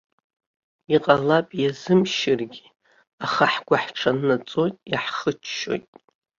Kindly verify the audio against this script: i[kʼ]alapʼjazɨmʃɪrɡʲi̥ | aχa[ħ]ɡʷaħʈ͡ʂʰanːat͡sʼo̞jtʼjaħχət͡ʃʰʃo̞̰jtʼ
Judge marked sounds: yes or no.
no, yes

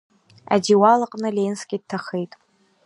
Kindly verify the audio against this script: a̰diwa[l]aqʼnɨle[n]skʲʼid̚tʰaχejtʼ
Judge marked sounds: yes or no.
yes, yes

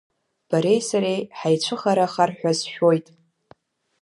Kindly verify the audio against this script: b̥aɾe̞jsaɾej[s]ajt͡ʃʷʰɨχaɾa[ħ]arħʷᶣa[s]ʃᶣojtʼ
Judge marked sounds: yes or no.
no, no, no

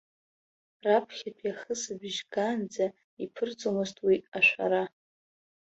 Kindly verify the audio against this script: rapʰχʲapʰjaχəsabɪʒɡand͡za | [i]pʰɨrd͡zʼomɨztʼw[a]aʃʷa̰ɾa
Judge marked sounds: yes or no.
yes, no

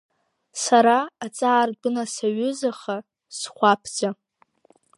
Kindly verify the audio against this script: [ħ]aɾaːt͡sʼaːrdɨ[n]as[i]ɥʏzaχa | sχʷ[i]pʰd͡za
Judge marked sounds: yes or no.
no, yes, no, no

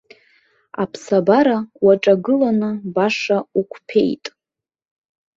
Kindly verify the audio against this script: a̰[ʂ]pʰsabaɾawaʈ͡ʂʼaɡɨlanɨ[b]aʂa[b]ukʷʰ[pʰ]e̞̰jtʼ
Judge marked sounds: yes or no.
no, yes, no, yes

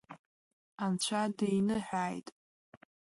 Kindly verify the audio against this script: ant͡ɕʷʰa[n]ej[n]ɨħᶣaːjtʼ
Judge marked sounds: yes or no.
no, yes

